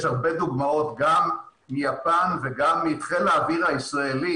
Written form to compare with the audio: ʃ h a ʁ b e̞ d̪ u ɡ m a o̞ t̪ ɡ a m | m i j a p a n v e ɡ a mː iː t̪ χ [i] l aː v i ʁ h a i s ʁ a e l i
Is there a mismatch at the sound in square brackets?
yes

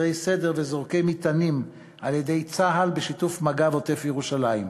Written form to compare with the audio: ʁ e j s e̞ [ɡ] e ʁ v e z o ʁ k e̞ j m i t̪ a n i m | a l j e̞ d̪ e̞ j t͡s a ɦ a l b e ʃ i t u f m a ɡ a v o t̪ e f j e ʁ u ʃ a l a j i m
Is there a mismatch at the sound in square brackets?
yes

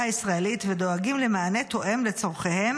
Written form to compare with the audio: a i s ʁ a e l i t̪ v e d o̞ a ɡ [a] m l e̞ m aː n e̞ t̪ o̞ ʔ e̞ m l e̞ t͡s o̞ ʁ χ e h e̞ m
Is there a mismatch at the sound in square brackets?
yes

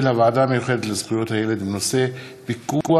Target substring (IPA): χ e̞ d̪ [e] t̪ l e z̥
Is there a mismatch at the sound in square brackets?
no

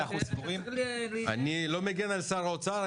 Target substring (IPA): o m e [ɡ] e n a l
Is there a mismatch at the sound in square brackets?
no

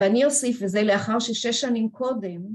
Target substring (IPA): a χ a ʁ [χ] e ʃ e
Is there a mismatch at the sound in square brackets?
yes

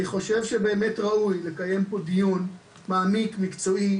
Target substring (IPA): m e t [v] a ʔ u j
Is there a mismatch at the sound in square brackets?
yes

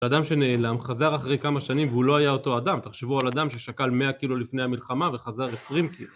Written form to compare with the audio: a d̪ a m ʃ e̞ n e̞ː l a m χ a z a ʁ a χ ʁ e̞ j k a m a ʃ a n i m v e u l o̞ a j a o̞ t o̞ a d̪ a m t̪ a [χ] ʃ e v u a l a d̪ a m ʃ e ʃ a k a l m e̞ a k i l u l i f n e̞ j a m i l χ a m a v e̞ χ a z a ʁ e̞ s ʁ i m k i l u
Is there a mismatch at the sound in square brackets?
no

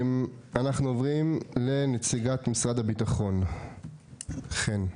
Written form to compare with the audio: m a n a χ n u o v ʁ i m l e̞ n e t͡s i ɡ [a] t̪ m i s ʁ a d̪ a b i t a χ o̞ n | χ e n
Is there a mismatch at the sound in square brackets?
no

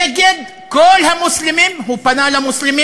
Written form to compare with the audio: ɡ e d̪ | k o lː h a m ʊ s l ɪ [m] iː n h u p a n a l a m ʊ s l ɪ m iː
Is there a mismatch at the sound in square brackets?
no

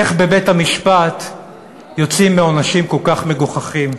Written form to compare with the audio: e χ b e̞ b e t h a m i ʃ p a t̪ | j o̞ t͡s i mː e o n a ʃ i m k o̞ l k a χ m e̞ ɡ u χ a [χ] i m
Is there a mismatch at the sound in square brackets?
no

